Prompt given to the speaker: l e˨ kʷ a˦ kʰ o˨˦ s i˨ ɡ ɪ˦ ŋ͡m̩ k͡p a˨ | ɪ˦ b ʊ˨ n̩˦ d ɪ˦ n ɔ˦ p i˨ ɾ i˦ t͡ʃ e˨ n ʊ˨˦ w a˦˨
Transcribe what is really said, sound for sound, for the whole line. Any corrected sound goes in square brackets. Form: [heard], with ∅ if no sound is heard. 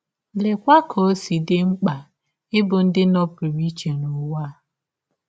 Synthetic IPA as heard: l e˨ kʷ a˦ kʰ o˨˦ s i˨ [d] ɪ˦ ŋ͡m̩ k͡p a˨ | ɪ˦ b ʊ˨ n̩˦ d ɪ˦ n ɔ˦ p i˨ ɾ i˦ t͡ʃ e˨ n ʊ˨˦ w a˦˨